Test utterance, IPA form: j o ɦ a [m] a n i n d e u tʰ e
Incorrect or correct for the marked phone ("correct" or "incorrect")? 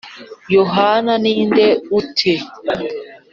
incorrect